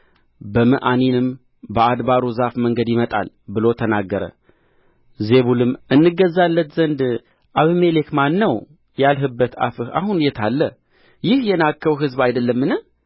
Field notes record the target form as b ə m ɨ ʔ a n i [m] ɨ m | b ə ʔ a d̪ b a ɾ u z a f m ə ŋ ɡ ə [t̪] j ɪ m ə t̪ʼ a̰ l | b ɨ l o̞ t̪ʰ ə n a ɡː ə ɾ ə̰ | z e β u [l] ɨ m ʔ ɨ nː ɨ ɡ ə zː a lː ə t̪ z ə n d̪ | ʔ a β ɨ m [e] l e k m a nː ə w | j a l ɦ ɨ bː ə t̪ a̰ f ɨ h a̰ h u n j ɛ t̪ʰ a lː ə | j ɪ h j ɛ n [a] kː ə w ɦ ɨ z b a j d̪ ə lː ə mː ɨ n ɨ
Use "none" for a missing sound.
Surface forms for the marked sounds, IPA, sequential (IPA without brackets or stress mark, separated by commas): n, d̪, l, e, a